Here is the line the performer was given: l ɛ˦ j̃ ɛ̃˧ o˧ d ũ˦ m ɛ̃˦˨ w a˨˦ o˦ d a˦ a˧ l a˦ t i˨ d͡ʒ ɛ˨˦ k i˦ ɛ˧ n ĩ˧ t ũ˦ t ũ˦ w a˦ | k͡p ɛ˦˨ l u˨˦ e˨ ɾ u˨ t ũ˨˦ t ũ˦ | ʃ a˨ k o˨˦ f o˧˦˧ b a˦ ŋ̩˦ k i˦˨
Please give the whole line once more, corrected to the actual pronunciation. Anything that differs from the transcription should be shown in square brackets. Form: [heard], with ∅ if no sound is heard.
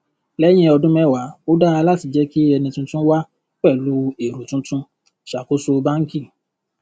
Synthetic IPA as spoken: l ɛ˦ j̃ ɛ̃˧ [ɔ˧] d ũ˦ m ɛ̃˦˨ w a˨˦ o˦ d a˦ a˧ l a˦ t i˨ d͡ʒ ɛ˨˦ k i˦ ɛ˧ n ĩ˧ t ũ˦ t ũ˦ w a˦ | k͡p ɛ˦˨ l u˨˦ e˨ ɾ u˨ t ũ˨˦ t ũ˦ | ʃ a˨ k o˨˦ [s] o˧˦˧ b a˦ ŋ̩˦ k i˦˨

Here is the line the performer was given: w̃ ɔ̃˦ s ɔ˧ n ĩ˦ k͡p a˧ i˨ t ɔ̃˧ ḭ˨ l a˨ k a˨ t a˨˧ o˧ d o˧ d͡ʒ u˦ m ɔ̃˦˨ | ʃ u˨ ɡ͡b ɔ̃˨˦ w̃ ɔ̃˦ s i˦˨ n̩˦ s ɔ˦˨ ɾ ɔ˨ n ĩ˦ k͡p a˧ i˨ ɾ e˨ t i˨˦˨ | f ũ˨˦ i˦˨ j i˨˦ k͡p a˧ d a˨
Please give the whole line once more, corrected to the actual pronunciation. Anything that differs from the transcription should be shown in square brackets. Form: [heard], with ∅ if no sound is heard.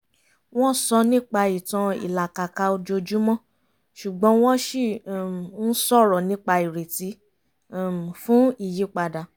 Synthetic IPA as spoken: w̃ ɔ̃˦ s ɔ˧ n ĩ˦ k͡p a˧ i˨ t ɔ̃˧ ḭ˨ l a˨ k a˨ [k] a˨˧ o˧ [d͡ʒ] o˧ d͡ʒ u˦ m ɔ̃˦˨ | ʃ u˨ ɡ͡b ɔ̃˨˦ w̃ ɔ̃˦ [ʃ] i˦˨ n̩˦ s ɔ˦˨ ɾ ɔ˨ n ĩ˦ k͡p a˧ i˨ ɾ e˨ t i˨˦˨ | f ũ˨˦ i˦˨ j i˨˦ k͡p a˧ d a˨

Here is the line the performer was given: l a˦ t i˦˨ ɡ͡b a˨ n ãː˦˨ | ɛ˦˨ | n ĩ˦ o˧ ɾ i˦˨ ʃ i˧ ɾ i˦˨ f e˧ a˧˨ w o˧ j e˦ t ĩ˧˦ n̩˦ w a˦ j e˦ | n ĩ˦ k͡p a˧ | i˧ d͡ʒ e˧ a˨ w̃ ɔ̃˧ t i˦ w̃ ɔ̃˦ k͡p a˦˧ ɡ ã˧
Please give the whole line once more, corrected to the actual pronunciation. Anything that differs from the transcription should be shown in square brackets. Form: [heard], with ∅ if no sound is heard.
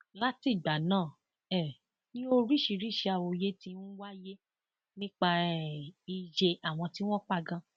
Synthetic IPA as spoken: l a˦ t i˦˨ ɡ͡b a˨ n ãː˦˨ | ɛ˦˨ | n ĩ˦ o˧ ɾ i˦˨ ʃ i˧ ɾ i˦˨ [ʃ] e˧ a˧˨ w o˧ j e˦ t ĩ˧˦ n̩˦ w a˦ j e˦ | n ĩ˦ k͡p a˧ | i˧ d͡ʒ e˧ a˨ w̃ ɔ̃˧ t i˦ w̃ ɔ̃˦ k͡p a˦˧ ɡ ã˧

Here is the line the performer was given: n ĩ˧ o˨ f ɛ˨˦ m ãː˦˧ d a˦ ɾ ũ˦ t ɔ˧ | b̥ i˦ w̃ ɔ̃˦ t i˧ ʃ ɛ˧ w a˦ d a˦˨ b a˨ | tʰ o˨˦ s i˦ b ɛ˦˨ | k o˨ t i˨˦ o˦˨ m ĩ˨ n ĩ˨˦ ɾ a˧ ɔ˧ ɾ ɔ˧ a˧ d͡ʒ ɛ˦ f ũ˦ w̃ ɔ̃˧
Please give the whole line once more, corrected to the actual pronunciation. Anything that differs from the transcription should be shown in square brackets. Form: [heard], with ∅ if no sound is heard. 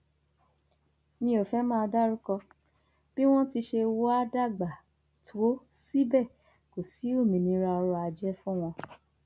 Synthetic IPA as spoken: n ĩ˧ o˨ f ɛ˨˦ m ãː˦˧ d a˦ ɾ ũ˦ [k] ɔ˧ | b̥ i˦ w̃ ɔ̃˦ t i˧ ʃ [e˧] w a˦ d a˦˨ [ɡ͡b] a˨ | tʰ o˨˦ s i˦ b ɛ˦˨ | k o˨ [s] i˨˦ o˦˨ m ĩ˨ n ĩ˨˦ ɾ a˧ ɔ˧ ɾ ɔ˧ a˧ d͡ʒ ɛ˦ f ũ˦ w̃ ɔ̃˧

